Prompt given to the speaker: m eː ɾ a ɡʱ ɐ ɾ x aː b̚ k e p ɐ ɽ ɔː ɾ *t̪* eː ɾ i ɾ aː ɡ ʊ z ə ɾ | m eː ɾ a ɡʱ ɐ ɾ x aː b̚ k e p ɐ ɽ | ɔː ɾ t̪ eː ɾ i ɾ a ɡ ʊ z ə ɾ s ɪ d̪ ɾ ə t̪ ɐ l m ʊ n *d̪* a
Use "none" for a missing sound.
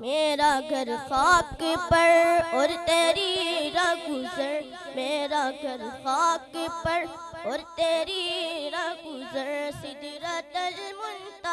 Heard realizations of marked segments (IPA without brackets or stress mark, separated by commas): t̪, t̪